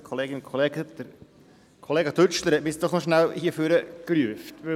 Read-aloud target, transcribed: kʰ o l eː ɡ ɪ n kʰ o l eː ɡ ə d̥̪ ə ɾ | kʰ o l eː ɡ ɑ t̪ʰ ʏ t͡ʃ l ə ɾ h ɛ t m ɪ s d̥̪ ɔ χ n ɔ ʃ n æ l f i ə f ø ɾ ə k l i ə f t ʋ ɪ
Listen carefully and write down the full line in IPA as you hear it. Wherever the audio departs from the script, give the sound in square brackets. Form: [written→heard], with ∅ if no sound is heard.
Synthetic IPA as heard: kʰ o l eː ɡ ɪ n kʰ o l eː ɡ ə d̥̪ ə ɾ | kʰ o l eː ɡ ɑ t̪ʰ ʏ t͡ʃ l ə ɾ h ɛ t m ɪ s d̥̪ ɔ χ n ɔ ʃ n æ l [f→h] i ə f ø ɾ ə k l [i→y] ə f t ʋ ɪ